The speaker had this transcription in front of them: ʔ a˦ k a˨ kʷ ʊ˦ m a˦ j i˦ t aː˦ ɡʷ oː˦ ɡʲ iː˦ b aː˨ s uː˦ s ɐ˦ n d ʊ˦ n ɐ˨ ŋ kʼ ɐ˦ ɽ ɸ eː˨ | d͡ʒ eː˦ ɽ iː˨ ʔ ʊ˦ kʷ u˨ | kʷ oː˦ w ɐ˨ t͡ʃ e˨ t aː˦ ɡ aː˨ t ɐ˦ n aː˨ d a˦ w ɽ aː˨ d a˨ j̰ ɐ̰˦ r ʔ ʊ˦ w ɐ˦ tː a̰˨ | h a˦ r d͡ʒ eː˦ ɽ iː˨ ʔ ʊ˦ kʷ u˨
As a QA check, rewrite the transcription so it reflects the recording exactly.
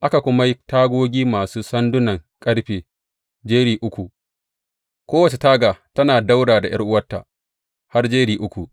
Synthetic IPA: ʔ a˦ k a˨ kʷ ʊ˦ m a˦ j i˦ t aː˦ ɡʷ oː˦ ɡʲ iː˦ m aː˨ s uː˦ s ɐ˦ n d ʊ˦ n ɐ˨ ŋ kʼ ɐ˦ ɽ ɸ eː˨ | d͡ʒ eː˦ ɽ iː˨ ʔ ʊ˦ kʷ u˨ | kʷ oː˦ w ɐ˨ t͡ʃ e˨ t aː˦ ɡ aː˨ t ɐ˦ n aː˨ d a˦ w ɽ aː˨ d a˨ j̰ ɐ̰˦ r ʔ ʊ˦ w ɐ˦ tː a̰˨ | h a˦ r d͡ʒ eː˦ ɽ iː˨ ʔ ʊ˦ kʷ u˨